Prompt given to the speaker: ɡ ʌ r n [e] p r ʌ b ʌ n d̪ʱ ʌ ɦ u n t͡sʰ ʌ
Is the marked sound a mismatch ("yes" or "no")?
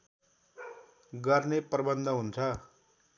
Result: no